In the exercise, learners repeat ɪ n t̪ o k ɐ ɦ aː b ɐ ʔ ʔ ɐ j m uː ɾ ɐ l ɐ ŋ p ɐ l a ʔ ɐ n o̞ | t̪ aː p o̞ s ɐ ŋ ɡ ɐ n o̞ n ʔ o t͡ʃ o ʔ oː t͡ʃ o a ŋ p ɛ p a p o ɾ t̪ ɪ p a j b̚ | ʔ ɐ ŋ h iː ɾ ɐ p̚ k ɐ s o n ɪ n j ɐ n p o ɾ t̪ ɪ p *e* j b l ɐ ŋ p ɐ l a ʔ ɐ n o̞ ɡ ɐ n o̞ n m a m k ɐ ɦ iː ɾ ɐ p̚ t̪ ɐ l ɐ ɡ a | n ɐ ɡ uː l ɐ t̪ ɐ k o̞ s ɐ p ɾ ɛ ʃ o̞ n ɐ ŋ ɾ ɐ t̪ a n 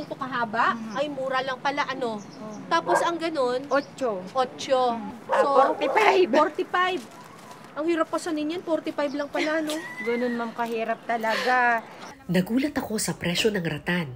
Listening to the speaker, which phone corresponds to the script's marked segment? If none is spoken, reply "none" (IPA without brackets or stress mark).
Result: a